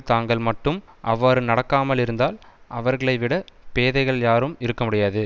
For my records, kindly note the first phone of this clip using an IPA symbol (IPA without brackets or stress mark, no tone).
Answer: t̪